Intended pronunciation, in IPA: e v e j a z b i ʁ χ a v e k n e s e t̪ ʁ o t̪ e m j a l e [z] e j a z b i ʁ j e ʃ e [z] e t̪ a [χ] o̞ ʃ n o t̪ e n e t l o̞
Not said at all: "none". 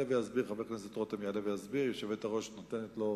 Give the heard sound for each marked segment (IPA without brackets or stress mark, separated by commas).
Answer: v, v, ʁ